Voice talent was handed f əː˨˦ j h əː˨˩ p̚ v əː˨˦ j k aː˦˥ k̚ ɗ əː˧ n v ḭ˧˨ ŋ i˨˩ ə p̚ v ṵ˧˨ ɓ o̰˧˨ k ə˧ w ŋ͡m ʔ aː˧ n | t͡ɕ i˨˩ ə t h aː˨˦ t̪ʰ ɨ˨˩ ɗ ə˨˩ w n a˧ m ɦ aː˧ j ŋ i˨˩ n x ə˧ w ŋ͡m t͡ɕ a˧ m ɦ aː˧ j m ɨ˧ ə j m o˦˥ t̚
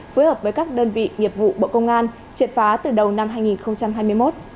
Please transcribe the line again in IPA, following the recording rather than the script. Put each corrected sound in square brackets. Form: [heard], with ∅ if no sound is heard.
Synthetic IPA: f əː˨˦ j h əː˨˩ p̚ v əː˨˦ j k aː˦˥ k̚ ɗ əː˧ n v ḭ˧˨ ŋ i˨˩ ə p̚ v ṵ˧˨ ɓ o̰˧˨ k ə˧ w ŋ͡m ʔ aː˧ n | t͡ɕ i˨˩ ə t [f] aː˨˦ [t̪] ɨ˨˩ ɗ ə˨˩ w n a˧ m ɦ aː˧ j ŋ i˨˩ n x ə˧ w ŋ͡m t͡ɕ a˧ m ɦ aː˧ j m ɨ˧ ə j m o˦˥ t̚